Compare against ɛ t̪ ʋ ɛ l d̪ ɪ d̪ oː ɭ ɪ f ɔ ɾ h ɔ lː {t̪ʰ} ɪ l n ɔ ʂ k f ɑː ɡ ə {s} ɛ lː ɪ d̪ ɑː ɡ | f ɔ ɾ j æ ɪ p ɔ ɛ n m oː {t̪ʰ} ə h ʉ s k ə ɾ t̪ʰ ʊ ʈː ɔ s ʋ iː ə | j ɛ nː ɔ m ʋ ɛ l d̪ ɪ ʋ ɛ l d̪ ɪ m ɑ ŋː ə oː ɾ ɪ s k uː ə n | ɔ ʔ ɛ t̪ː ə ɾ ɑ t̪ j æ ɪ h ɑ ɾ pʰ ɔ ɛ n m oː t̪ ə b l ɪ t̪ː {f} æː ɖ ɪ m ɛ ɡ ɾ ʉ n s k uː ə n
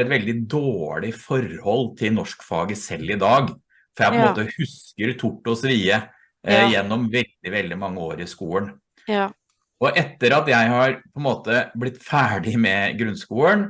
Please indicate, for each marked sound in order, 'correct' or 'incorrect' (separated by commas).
correct, correct, incorrect, correct